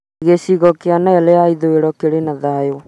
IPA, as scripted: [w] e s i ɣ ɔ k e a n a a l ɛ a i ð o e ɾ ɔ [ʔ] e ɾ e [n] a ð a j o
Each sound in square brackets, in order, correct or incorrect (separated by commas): incorrect, incorrect, correct